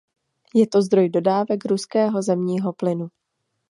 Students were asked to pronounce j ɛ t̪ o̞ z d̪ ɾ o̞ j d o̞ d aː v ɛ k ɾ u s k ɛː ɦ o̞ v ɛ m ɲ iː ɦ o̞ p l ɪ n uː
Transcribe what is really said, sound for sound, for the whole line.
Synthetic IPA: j ɛ t̪ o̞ z d̪ ɾ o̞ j d o̞ d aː v ɛ k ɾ u s k ɛː ɦ o̞ z ɛ m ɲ iː ɦ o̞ p l ɪ n u